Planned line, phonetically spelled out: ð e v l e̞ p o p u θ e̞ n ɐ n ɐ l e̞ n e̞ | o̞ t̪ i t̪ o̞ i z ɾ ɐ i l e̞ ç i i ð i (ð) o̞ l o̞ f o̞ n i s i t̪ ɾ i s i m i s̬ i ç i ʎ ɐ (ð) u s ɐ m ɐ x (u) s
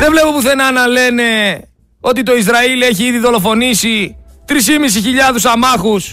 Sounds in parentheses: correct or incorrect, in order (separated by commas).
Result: correct, correct, correct